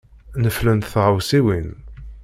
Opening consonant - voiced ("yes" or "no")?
yes